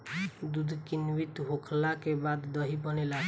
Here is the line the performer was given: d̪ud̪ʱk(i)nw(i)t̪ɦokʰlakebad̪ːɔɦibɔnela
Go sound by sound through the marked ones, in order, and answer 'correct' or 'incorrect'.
correct, correct

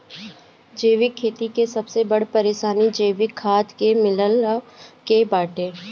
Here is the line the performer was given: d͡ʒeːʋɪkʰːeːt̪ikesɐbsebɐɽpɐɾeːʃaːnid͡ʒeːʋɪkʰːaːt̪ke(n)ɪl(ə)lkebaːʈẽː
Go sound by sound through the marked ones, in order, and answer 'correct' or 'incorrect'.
incorrect: m, correct

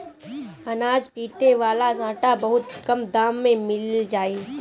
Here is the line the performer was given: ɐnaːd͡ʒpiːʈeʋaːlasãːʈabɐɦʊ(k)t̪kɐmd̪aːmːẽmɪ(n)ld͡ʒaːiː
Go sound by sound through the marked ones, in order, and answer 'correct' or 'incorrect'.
incorrect: none, incorrect: none

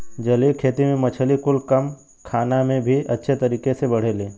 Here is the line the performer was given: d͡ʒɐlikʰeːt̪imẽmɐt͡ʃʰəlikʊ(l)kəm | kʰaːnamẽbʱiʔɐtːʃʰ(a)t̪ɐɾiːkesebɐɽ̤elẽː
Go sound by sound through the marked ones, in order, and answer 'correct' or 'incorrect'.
correct, incorrect: e

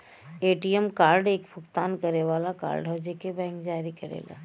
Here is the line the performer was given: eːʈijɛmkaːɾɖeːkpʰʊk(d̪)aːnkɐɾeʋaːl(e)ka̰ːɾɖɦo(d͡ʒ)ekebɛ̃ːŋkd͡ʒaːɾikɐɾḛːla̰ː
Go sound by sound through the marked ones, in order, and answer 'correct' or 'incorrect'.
incorrect: t̪, incorrect: a, correct

